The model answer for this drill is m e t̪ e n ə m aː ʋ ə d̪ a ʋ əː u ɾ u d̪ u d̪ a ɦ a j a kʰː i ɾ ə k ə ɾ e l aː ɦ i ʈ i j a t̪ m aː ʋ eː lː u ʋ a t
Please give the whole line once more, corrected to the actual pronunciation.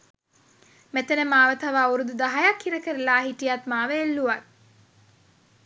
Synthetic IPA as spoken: m e t̪ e n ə m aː ʋ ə t̪ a ʋ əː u ɾ u d̪ u d̪ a ɦ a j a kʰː i ɾ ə k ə ɾ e l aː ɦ i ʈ i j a t̪ m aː ʋ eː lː u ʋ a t